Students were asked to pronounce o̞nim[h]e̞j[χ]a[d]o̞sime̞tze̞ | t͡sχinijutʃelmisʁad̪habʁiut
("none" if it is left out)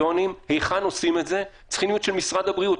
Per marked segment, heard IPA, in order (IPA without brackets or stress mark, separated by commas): h, χ, n